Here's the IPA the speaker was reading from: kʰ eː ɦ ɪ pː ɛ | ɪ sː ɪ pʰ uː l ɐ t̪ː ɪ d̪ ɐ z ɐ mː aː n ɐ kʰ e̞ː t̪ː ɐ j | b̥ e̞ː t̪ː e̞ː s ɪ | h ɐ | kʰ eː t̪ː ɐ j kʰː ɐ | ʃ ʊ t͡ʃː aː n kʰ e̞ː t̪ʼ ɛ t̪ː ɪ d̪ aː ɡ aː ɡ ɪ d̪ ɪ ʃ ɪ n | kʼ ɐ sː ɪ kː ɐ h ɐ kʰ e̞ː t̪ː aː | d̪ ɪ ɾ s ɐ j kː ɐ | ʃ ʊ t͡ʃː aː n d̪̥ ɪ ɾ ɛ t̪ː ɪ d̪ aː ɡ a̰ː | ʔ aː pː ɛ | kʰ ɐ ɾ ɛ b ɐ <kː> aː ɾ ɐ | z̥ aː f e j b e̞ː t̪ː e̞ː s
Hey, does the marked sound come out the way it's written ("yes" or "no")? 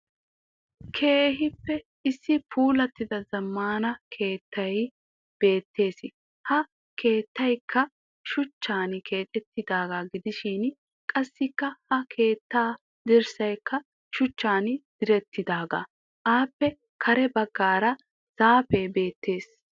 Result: no